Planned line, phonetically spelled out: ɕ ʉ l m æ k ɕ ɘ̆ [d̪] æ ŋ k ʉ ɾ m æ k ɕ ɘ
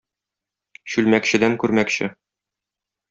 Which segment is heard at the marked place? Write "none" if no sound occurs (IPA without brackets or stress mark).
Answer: d̪